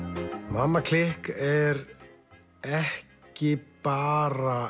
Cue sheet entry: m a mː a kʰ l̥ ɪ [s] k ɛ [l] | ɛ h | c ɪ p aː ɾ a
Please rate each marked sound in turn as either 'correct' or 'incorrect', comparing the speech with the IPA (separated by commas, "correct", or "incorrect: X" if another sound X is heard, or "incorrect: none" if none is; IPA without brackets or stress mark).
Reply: incorrect: h, incorrect: ɾ